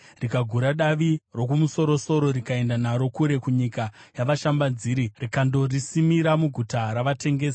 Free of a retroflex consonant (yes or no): yes